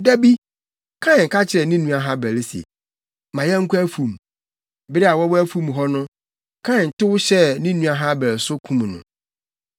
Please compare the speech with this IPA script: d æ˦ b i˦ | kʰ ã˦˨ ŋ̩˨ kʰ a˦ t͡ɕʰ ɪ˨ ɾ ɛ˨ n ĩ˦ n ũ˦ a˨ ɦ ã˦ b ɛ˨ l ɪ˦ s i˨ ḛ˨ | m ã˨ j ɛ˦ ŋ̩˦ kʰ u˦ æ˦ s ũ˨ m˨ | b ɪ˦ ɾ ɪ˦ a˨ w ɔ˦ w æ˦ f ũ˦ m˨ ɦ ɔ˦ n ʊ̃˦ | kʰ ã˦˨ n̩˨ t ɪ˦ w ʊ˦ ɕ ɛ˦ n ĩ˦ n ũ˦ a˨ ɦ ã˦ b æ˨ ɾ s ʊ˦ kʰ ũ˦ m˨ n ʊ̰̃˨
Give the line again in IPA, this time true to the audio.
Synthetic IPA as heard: d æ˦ b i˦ | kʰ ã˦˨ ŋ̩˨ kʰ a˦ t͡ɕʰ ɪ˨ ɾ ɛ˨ n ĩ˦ n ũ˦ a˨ ɦ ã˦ b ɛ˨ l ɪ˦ s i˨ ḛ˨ | m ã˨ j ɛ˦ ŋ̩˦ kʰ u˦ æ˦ f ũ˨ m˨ | b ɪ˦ ɾ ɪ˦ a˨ w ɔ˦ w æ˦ f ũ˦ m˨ ɦ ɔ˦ n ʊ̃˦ | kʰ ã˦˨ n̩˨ t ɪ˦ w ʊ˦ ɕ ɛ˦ n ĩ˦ n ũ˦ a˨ ɦ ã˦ b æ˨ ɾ s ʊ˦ kʰ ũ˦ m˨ n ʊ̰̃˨